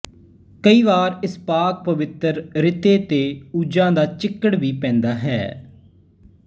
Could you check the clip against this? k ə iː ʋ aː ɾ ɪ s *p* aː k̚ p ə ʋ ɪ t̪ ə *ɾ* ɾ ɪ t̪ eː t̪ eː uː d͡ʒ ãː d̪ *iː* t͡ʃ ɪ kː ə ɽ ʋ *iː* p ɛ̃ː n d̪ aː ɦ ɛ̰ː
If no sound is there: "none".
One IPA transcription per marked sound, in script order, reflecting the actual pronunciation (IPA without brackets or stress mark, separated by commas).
p, ɾ, aː, iː